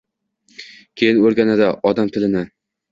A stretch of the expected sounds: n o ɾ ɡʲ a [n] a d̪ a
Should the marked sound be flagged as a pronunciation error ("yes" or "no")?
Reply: no